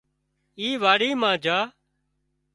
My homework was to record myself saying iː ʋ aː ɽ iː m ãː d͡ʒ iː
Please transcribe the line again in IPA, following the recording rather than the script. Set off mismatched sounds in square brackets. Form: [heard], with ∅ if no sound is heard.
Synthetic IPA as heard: iː ʋ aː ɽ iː m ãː d͡ʒ [aː]